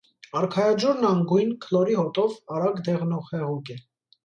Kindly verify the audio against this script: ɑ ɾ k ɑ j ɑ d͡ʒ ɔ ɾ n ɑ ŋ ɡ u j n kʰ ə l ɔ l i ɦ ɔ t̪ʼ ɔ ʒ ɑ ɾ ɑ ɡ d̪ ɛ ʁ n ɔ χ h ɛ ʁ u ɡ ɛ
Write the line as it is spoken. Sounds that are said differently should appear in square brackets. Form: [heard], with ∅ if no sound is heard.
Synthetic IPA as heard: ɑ ɾ [kʰ] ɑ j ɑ d͡ʒ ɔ ɾ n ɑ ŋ ɡ u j n kʰ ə l ɔ [ɾ] i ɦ ɔ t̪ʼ ɔ [v] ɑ ɾ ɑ ɡ d̪ ɛ ʁ n ɔ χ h ɛ ʁ u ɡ ɛ